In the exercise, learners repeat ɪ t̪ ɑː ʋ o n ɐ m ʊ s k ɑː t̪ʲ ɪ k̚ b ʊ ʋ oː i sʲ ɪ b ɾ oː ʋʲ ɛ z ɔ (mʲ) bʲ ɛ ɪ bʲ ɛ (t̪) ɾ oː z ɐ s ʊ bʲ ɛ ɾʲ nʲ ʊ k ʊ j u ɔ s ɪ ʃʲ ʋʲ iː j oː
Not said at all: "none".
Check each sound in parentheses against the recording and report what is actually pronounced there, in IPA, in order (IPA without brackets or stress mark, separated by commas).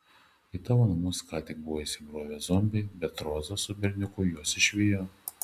mʲ, t̪